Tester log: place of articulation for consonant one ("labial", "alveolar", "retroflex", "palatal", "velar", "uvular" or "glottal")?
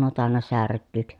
alveolar